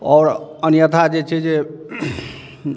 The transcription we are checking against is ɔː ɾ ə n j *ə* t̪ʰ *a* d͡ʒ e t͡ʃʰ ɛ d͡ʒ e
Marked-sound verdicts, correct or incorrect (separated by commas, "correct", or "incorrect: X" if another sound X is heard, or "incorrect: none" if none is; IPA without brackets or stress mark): correct, correct